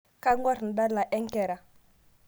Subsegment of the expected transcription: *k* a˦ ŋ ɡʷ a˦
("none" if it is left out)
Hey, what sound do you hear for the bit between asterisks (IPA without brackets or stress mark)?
k